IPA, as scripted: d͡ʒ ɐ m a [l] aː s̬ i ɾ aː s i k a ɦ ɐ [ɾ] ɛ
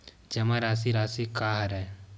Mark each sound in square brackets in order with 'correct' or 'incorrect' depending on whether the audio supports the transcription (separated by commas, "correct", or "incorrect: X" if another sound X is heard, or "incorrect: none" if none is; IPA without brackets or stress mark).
incorrect: ɾ, correct